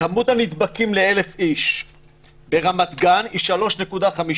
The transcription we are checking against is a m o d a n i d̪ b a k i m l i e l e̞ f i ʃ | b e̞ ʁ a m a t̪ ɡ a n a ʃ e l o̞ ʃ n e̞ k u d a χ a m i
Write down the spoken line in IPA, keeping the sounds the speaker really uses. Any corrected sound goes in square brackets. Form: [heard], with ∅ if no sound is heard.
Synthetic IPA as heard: a m [u] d a n i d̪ b a k i m l [e] e l e̞ f i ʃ | b e̞ ʁ a m a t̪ ɡ a n [i] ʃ [a] l o̞ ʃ n e̞ k u d a χ a m i